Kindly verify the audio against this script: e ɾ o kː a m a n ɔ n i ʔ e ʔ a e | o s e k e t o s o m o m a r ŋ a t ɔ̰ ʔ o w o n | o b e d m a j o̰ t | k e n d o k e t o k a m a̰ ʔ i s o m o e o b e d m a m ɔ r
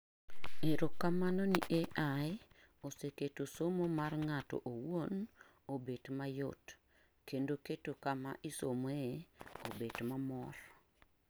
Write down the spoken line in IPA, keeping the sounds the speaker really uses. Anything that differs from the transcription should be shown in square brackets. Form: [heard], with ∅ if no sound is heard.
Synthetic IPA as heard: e ɾ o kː a m a n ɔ n i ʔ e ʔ a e | o s e k e t o s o m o m a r ŋ a t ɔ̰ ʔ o w o n | o b e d m a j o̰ t | k e n d o k e t o k a m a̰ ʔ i s o m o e o b e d m a m ɔ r